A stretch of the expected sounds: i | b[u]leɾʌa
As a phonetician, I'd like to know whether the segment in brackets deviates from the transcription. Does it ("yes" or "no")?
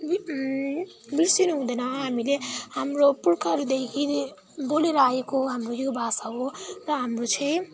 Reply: yes